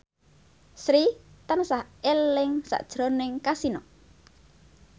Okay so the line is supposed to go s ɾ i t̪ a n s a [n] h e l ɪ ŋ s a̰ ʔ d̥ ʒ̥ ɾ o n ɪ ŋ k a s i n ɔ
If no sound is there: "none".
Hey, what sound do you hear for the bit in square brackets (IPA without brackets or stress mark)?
none